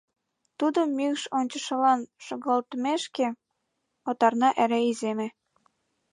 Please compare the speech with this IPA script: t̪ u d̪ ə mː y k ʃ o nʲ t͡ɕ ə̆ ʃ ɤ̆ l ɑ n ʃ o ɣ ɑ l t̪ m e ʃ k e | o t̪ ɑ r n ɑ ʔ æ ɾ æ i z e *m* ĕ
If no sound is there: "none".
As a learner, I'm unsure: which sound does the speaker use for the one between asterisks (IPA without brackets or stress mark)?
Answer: m